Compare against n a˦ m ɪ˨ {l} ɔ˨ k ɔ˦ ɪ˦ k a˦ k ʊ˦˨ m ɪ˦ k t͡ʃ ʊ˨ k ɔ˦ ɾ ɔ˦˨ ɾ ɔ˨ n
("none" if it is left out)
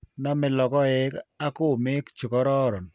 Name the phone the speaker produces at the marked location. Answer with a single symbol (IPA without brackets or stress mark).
l